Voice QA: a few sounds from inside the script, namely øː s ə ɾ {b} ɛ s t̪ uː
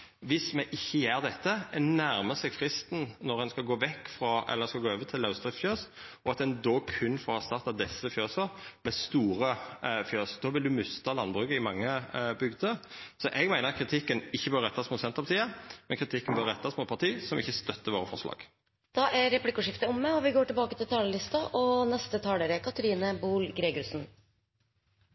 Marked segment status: incorrect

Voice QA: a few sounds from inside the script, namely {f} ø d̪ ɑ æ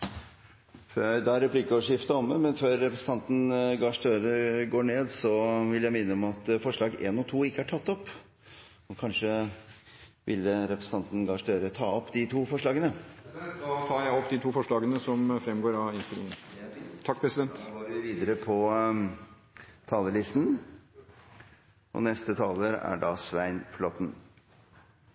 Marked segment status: correct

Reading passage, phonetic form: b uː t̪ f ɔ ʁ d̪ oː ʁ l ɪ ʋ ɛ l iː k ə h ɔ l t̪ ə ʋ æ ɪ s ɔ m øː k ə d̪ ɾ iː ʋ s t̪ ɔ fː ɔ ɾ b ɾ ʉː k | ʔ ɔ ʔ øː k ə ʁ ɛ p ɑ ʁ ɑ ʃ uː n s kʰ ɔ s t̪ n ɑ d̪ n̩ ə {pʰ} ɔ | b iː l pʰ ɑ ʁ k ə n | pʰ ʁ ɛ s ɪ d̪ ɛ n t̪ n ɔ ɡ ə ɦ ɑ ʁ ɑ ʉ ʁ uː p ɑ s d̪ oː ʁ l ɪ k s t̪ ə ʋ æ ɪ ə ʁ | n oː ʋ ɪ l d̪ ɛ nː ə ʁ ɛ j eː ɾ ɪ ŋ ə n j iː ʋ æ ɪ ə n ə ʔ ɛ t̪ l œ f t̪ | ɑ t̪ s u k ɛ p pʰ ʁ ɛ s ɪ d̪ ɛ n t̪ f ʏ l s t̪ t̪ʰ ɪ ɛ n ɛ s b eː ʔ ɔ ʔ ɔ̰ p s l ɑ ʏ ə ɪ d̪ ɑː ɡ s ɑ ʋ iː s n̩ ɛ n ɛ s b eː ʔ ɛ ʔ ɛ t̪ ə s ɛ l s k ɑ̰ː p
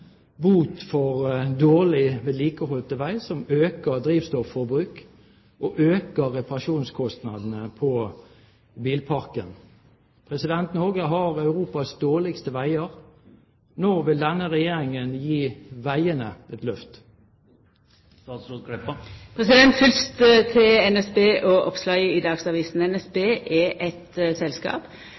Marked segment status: correct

